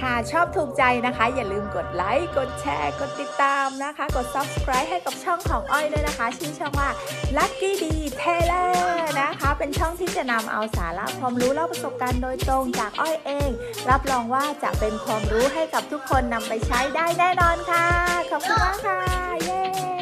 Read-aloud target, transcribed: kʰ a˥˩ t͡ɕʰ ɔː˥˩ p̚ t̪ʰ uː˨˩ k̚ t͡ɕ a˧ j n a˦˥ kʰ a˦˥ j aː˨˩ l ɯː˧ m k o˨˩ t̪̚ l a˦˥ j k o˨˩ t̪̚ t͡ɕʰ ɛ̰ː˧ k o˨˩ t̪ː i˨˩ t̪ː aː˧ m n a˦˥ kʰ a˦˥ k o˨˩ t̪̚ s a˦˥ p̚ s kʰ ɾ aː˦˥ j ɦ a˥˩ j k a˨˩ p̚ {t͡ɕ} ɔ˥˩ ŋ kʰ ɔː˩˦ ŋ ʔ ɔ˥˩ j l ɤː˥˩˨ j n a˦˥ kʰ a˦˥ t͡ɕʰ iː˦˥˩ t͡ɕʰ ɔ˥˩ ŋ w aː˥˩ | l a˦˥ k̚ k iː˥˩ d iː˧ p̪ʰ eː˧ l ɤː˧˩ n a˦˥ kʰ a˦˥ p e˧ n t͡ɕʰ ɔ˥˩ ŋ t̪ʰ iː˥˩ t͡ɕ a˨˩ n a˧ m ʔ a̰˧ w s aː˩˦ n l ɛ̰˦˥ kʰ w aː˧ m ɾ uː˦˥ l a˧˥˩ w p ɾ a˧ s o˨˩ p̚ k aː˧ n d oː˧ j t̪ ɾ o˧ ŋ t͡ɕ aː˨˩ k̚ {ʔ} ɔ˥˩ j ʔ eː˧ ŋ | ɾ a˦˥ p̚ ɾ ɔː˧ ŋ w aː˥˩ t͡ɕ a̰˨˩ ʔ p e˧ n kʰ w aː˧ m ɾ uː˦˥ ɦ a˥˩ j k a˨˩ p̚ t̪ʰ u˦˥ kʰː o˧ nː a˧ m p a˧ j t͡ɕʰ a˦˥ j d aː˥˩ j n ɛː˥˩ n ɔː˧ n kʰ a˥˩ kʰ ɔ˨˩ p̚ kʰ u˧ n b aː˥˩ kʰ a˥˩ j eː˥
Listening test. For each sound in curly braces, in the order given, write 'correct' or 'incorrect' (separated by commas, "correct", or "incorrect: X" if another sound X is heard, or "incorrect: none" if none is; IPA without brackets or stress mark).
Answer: incorrect: t͡ɕʰ, correct